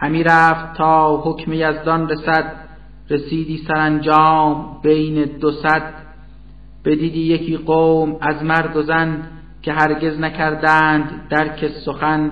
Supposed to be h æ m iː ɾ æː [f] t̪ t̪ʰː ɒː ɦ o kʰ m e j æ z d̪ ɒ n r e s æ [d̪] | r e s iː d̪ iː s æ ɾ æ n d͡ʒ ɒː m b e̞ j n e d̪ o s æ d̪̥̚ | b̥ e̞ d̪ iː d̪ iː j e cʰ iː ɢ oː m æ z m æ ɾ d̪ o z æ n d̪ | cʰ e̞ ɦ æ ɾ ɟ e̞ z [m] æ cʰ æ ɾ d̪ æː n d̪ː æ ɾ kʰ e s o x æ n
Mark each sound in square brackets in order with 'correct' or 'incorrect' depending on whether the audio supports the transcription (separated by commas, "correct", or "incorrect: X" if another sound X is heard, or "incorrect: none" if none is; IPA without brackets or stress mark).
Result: correct, correct, incorrect: n